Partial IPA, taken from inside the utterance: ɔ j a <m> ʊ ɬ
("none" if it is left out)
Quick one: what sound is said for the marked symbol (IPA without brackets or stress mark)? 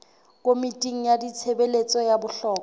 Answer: b